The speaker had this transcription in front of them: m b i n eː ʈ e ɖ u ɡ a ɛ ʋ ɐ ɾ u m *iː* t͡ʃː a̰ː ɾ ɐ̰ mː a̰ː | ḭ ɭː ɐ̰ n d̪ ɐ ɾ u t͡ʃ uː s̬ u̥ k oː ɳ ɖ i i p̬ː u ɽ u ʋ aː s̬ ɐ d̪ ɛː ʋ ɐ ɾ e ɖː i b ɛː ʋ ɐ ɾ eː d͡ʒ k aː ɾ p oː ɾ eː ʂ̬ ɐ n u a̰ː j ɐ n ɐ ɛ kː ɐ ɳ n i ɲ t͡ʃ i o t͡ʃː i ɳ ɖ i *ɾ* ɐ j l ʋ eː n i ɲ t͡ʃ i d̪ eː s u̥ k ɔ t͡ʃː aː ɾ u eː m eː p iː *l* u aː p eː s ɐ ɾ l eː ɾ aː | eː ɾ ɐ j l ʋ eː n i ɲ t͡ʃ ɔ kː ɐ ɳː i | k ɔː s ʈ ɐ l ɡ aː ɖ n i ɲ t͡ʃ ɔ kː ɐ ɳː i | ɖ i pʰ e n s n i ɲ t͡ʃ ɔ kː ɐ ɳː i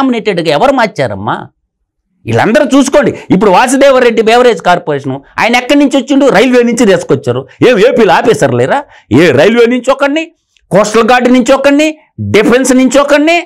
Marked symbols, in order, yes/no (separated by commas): no, yes, yes